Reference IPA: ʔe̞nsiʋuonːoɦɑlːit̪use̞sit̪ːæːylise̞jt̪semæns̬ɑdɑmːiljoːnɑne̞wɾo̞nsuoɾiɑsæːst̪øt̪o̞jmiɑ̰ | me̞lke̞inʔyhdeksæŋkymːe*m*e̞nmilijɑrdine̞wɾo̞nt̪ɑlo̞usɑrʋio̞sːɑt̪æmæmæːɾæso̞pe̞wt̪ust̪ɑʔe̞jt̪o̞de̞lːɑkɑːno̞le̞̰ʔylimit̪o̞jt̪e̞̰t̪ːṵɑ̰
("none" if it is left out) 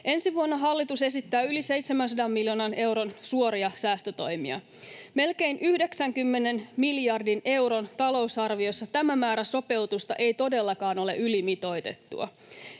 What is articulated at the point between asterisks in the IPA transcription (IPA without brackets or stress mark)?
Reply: n